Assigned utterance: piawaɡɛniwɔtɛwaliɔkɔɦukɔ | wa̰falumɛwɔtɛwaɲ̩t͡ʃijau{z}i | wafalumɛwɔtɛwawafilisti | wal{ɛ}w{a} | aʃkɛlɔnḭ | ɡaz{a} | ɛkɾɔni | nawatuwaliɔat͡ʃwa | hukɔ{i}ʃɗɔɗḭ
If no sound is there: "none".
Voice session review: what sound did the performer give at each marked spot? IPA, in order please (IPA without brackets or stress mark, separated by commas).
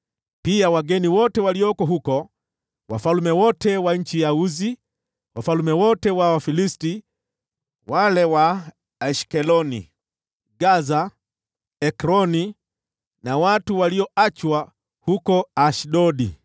z, ɛ, a, a, a